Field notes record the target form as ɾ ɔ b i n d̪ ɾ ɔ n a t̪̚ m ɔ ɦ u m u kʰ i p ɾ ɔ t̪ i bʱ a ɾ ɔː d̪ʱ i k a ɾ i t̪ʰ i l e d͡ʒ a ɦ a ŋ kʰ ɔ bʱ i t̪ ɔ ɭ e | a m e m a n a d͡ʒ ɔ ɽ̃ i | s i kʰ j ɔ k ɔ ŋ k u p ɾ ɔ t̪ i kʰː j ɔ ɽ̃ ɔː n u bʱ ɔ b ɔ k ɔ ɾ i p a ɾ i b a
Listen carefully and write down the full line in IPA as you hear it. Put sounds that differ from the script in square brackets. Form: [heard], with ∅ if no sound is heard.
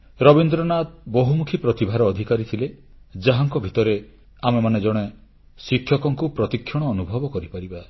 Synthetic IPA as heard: ɾ ɔ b i n d̪ ɾ ɔ n a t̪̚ [b] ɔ ɦ u m u kʰ i p ɾ ɔ t̪ i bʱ a ɾ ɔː d̪ʱ i k a ɾ i t̪ʰ i l e d͡ʒ a ɦ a ŋ [k] ɔ bʱ i t̪ ɔ [ɾ] e | a m e m a n [e] d͡ʒ ɔ ɽ̃ [e] | s i kʰ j ɔ k ɔ ŋ k u p ɾ ɔ t̪ i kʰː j ɔ ɽ̃ ɔː n u bʱ ɔ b ɔ k ɔ ɾ i p a ɾ i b a

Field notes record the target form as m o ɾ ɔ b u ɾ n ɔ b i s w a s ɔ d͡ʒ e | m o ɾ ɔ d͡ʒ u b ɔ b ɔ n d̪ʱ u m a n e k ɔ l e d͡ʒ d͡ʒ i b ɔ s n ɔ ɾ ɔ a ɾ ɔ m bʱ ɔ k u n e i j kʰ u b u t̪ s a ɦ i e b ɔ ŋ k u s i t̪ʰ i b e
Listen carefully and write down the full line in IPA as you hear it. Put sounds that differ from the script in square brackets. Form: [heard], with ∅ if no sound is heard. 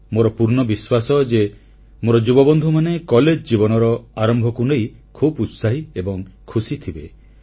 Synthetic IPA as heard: m o ɾ ɔ [p] u ɾ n ɔ b i s w a s ɔ d͡ʒ e | m o ɾ ɔ d͡ʒ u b ɔ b ɔ n d̪ʱ u m a n e k ɔ l e d͡ʒ d͡ʒ i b ɔ [∅] n ɔ ɾ ɔ a ɾ ɔ m bʱ ɔ k u n e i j kʰ u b u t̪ s a ɦ i e b ɔ ŋ [kʰ] u s i t̪ʰ i b e

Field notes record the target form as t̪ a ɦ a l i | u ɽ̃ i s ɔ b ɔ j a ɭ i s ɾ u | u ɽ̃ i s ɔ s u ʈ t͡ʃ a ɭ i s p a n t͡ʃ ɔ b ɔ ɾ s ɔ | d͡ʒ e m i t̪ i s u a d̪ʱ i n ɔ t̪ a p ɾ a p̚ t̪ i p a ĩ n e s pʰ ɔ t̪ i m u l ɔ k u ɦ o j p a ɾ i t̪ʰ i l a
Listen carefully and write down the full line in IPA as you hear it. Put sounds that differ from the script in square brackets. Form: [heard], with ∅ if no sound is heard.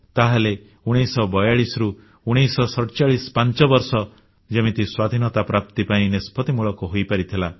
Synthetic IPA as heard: t̪ a ɦ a l [e] | u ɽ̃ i s ɔ b ɔ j a ɭ i s ɾ u | u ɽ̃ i s ɔ s [ɔ] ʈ t͡ʃ a ɭ i s p a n t͡ʃ ɔ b ɔ ɾ s ɔ | d͡ʒ e m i t̪ i s [w] a d̪ʱ i n ɔ t̪ a p ɾ a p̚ t̪ i p a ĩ n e s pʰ ɔ t̪ i m u [ɭ] ɔ k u ɦ o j p a ɾ i t̪ʰ i l a

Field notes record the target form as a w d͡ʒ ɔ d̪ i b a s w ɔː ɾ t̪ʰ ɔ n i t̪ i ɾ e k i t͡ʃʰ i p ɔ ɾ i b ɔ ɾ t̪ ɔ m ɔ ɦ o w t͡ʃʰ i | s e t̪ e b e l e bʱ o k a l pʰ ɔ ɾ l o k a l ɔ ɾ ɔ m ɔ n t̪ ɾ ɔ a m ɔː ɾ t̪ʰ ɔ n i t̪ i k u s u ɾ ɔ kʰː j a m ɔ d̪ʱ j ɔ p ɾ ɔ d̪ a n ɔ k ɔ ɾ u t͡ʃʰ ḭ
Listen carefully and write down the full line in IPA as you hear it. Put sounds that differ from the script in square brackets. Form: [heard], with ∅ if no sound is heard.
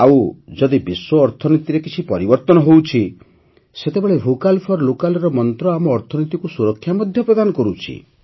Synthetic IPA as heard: a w d͡ʒ ɔ d̪ i b [i] s w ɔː ɾ t̪ʰ ɔ n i t̪ i ɾ e k i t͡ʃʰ i p ɔ ɾ i b ɔ ɾ t̪ ɔ [n] ɔ ɦ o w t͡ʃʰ i | s e t̪ e b e [ɭ] e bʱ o k a l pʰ ɔ ɾ l o k a l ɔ ɾ ɔ m ɔ n t̪ ɾ ɔ a m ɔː ɾ t̪ʰ ɔ n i t̪ i k u s u ɾ ɔ kʰː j a m ɔ d̪ʱ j ɔ p ɾ ɔ d̪ a n ɔ k ɔ ɾ u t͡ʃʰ ḭ

